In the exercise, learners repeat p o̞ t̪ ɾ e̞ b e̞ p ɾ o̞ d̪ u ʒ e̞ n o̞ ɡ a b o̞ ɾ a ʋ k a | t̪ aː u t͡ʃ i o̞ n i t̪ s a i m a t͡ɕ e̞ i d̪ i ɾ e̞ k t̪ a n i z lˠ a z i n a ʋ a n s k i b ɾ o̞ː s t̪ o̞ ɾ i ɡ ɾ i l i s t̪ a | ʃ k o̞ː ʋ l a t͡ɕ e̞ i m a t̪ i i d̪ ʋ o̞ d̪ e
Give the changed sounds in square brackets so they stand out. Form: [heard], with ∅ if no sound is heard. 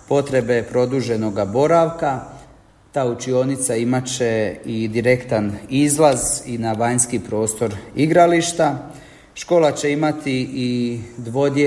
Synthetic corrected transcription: p o̞ t̪ ɾ e̞ b e̞ p ɾ o̞ d̪ u ʒ e̞ n o̞ ɡ a b o̞ ɾ a ʋ k a | t̪ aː u t͡ʃ i o̞ n i t̪ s a i m a t͡ɕ e̞ i d̪ i ɾ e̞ k t̪ a n i z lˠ a z i n a ʋ a [ɲ] s k i [p] ɾ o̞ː s t̪ o̞ ɾ i ɡ ɾ [a] l i [ʃ] t̪ a | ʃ k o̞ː [∅] l a t͡ɕ e̞ i m a t̪ i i d̪ ʋ o̞ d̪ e